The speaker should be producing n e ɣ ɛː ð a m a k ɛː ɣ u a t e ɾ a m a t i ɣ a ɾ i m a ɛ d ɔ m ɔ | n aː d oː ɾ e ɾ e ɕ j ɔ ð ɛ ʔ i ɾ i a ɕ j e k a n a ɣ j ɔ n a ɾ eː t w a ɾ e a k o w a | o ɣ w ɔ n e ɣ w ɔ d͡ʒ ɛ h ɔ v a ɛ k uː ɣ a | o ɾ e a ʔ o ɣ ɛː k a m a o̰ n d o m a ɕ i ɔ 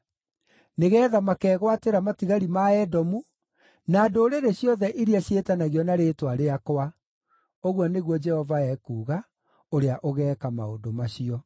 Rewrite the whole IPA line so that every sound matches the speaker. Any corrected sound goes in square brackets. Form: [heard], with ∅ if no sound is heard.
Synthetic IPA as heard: n e ɣ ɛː ð a m a k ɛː ɣ [w] a t e ɾ a m a t i ɣ a ɾ i m a ɛ d ɔ m [u] | n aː d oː ɾ e ɾ e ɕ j ɔ ð ɛ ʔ i ɾ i a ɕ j e [t] a n a ɣ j ɔ n a ɾ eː t w a ɾ e a k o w a | o ɣ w ɔ n e ɣ w ɔ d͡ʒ ɛ h ɔ v a ɛ k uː ɣ a | o ɾ e a ʔ o ɣ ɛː k a m a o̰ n d o m a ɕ i ɔ